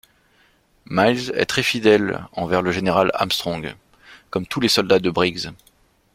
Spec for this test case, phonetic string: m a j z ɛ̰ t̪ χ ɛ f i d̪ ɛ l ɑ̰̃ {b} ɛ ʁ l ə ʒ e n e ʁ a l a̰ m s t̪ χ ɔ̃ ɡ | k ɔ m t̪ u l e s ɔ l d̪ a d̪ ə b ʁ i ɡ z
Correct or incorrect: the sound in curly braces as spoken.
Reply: incorrect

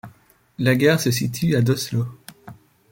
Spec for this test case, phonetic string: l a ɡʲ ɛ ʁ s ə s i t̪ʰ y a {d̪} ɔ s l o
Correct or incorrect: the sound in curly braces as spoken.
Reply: correct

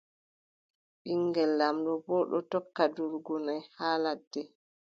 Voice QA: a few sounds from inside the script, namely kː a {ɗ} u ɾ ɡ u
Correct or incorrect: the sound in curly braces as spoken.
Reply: incorrect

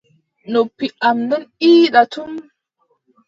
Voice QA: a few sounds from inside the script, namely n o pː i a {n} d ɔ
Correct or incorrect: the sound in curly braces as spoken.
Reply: incorrect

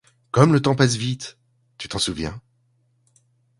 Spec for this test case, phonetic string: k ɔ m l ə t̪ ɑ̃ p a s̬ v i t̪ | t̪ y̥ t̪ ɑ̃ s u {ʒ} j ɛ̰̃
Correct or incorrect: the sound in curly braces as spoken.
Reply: incorrect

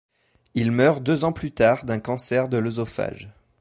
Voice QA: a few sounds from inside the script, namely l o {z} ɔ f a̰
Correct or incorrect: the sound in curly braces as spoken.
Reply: correct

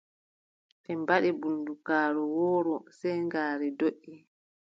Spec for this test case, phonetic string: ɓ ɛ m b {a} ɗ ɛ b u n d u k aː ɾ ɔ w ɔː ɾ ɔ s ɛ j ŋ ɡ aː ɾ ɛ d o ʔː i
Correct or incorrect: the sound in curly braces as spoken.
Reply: correct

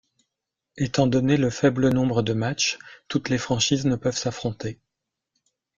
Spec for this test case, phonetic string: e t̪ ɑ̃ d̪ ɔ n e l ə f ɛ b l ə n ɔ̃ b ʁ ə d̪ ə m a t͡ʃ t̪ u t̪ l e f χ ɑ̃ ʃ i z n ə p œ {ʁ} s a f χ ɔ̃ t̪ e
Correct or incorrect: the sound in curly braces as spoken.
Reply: incorrect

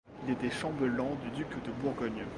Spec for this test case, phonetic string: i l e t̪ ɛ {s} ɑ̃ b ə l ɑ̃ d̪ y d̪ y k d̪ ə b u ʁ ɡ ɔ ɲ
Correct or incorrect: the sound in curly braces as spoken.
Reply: incorrect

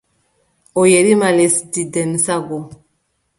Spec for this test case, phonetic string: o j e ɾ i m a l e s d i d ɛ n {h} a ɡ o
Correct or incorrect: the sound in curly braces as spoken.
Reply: incorrect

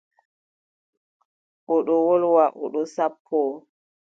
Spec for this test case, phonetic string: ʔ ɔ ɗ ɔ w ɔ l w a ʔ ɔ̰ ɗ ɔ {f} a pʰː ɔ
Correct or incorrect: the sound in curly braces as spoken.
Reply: incorrect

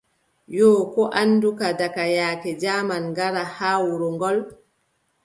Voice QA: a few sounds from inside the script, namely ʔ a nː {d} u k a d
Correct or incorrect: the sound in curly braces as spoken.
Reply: correct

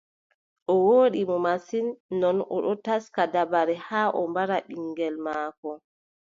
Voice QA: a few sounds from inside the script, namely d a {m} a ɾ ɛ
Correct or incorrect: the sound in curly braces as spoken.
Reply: incorrect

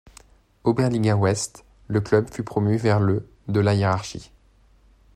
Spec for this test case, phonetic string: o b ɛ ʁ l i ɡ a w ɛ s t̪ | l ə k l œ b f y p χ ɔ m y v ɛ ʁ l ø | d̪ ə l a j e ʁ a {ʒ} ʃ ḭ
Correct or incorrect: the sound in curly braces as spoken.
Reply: incorrect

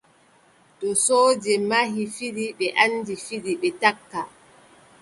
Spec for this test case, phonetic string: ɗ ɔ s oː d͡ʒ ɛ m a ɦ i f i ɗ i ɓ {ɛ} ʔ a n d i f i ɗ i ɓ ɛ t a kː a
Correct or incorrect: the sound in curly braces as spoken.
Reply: correct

